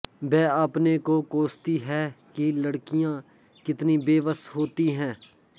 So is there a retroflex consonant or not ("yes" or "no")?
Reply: yes